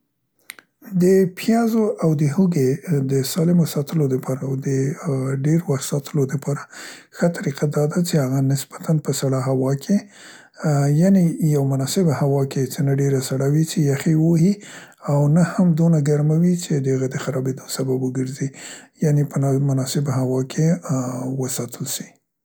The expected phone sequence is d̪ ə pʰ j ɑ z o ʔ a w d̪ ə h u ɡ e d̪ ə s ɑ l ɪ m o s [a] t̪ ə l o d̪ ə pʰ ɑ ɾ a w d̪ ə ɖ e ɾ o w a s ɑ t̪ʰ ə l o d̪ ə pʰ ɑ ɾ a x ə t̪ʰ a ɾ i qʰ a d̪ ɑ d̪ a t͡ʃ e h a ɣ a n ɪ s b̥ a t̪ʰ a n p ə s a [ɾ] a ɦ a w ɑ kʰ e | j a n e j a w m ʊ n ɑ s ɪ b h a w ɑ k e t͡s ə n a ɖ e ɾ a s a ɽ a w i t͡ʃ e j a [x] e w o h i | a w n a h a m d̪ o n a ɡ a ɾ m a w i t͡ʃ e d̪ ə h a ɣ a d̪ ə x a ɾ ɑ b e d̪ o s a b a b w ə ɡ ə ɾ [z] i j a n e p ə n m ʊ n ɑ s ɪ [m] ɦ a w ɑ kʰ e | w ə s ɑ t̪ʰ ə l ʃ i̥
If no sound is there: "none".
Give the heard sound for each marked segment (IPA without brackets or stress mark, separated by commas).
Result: ɑ, ɽ, x, z, b